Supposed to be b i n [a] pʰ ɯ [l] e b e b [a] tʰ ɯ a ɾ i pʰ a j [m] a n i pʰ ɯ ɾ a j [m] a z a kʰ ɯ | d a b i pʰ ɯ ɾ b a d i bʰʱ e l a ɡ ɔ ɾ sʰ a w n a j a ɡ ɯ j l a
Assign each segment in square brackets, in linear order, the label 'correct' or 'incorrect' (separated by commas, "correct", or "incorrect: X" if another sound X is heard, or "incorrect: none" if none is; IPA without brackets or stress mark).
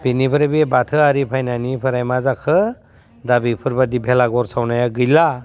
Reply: incorrect: i, incorrect: ɾ, correct, incorrect: n, correct